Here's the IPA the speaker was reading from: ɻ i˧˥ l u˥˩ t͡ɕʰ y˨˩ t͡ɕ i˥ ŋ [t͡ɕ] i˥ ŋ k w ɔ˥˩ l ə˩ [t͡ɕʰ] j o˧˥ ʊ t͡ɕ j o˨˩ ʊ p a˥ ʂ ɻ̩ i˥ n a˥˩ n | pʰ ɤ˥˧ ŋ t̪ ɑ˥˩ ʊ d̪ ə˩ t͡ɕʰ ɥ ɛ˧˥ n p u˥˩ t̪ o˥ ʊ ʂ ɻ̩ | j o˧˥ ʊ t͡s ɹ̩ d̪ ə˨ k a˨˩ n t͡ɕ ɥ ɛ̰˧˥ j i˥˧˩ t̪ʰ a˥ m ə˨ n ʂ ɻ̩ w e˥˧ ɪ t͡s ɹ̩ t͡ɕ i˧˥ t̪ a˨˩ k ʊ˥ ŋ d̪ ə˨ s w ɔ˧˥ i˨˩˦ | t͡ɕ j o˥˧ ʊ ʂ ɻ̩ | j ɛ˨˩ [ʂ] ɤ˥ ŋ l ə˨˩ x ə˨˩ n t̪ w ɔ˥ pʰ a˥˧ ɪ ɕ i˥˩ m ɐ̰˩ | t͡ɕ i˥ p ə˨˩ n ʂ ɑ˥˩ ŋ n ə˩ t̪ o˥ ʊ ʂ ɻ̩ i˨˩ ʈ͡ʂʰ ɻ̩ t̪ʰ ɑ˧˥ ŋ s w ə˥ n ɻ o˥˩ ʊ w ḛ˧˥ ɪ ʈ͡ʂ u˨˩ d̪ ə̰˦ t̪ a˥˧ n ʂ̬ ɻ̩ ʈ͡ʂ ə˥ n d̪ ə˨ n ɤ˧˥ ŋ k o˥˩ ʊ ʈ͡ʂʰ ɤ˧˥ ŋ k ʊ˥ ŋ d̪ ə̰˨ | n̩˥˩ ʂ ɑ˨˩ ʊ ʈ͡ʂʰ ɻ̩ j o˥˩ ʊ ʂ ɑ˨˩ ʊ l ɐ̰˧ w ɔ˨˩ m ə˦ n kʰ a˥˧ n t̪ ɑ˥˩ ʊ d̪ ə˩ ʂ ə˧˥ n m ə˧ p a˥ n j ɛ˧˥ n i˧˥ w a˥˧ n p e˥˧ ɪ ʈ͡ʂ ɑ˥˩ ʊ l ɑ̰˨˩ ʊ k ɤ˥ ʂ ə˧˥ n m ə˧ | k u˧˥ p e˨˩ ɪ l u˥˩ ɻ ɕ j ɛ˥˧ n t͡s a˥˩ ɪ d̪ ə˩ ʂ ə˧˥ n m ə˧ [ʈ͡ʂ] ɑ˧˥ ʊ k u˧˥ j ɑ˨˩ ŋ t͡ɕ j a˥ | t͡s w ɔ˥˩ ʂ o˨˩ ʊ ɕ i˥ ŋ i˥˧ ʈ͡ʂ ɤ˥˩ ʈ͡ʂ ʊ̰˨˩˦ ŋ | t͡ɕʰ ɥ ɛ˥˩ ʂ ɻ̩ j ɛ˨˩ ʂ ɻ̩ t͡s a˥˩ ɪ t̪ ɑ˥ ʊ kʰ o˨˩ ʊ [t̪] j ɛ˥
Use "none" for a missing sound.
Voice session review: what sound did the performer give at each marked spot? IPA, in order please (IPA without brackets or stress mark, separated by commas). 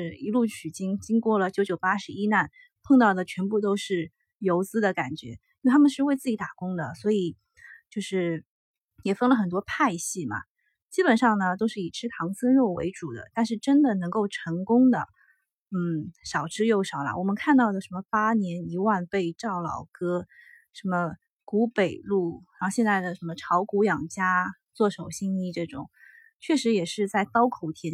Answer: t͡ɕ, t͡ɕ, f, ʈ͡ʂʰ, t̪ʰ